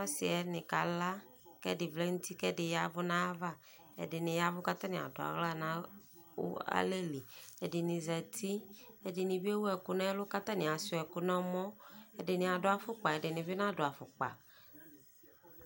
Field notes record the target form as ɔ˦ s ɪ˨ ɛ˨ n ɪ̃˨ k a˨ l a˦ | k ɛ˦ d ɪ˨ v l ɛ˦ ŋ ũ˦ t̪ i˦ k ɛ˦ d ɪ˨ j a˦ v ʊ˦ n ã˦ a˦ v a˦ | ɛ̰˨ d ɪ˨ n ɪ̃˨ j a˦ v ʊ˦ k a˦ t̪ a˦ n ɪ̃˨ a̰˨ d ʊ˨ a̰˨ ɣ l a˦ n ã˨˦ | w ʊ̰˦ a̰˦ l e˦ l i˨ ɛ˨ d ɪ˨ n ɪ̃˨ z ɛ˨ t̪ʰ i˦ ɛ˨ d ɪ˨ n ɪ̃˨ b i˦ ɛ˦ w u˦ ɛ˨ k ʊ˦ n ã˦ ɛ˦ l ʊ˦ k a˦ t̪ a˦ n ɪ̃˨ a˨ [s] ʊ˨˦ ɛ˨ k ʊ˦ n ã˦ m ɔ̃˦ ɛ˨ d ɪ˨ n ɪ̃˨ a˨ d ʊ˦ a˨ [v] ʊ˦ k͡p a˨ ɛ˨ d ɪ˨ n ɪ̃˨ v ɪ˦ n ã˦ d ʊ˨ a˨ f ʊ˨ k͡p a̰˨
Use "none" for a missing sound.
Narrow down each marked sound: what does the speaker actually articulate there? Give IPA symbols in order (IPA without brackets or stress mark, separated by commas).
s, f